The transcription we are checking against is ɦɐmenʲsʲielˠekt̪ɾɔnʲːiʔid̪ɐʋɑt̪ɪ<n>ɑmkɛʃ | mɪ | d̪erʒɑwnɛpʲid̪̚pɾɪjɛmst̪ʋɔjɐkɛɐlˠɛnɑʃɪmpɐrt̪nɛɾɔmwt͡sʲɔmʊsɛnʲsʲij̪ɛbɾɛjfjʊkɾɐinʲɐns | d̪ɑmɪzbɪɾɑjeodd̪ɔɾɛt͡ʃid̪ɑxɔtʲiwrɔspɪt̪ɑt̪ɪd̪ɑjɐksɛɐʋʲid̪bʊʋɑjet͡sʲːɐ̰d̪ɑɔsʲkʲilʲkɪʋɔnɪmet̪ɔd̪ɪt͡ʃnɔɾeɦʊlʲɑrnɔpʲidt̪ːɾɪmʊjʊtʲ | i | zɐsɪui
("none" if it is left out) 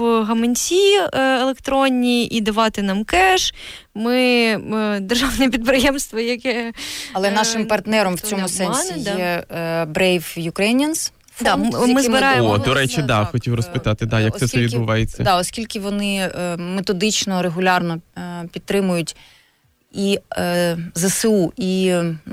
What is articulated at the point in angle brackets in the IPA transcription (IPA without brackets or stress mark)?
n